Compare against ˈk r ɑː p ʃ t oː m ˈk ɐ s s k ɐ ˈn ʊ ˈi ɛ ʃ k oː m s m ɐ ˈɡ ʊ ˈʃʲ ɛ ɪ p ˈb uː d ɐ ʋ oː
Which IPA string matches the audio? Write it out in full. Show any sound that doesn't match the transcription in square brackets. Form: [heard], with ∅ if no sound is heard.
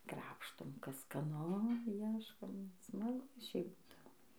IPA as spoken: ˈk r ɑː p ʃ t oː m ˈk ɐ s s k ɐ ˈn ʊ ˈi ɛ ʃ k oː m s m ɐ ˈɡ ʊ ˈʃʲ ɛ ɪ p ˈb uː d ɐ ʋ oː

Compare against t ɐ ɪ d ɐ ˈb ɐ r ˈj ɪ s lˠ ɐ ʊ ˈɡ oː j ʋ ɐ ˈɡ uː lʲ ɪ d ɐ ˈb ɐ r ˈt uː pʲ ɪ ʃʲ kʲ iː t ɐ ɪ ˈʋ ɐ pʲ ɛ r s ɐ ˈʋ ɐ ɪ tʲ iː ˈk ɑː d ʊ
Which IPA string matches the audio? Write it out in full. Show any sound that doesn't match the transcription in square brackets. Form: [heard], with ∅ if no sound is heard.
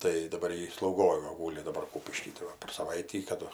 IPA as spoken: t ɐ ɪ d ɐ ˈb ɐ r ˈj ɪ s lˠ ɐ ʊ ˈɡ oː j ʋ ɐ ˈɡ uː lʲ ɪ d ɐ ˈb ɐ r [ˈk] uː pʲ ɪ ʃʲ kʲ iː t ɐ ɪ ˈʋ ɐ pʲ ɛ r s ɐ ˈʋ ɐ ɪ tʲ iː ˈk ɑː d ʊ

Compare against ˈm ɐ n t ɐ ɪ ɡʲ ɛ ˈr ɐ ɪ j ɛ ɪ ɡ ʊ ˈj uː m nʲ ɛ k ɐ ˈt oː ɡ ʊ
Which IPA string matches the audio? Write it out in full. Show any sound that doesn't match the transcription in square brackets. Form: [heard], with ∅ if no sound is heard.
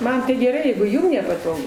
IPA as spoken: ˈm ɐ n t ɐ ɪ ɡʲ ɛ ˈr ɐ ɪ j ɛ ɪ ɡ ʊ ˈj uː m nʲ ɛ [p] ɐ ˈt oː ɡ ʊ

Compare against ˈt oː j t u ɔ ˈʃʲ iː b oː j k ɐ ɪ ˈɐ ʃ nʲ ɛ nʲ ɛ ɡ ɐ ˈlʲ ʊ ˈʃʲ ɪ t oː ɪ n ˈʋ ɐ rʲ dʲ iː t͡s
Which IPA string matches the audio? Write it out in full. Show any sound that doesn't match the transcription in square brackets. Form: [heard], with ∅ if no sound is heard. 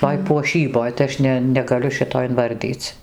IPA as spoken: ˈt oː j [p] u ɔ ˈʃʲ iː b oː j [t] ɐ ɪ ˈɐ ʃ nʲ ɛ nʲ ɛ ɡ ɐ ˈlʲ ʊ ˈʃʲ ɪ t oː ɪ n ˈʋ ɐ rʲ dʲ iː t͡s

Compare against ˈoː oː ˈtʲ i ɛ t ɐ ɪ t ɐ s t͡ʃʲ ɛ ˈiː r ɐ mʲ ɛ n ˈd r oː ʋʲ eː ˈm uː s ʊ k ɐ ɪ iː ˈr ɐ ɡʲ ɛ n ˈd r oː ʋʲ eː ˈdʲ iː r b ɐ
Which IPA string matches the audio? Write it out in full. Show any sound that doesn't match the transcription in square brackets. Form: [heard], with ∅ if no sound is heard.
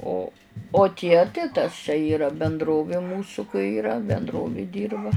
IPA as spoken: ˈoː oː ˈtʲ i ɛ t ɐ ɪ t ɐ s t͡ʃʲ ɛ ˈiː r ɐ [bʲ] ɛ n ˈd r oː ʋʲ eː ˈm uː s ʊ k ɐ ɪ iː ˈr ɐ [bʲ] ɛ n ˈd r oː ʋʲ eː ˈdʲ iː r b ɐ

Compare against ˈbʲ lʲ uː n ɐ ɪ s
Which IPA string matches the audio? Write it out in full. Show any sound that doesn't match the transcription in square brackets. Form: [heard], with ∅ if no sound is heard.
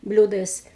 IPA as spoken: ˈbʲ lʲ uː [d] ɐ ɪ s

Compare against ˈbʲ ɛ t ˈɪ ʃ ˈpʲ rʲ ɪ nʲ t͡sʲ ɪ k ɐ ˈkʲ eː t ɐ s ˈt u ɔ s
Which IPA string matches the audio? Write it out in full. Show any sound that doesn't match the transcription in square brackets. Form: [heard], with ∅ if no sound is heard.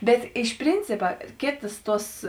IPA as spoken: ˈbʲ ɛ t ˈɪ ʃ ˈpʲ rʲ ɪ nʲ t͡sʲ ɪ [p] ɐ ˈkʲ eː t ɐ s ˈt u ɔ s

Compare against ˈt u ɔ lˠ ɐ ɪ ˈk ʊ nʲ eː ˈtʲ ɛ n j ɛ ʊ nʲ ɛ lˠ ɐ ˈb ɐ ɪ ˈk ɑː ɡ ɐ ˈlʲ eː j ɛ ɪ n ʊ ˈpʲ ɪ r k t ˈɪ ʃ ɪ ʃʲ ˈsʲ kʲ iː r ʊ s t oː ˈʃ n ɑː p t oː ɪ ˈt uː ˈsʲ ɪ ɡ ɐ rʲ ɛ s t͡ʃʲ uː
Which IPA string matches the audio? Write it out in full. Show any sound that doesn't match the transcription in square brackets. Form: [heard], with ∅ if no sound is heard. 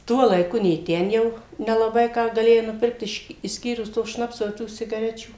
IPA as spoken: ˈt u ɔ lˠ ɐ ɪ ˈk ʊ nʲ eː ˈtʲ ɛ n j ɛ ʊ nʲ ɛ lˠ ɐ ˈb ɐ ɪ ˈk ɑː ɡ ɐ ˈlʲ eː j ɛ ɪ n ʊ ˈpʲ ɪ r k t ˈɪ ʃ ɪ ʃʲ ˈsʲ kʲ iː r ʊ s t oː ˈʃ n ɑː p [s] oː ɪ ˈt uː ˈsʲ ɪ ɡ ɐ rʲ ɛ [∅] t͡ʃʲ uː

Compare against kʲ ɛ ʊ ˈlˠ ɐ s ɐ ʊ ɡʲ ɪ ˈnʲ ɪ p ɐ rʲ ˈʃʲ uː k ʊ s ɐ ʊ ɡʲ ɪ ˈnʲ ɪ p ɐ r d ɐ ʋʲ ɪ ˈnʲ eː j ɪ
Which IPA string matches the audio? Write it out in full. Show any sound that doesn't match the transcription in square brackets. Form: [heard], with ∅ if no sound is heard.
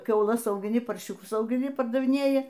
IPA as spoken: kʲ ɛ ʊ ˈlˠ ɐ s ɐ ʊ ɡʲ ɪ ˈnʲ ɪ p ɐ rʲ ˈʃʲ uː k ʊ s ɐ ʊ ɡʲ ɪ ˈnʲ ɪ p ɐ r d ɐ ʋʲ ɪ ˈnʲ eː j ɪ

